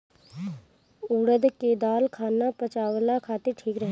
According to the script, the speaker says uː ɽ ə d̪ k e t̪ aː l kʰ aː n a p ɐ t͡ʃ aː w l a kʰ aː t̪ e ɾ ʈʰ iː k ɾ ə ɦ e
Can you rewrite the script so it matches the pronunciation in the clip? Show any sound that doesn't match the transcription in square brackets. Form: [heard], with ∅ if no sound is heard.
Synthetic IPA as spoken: uː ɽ ə d̪ k e [d̪] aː l kʰ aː n a p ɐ t͡ʃ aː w l a kʰ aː t̪ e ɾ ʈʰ iː k ɾ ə ɦ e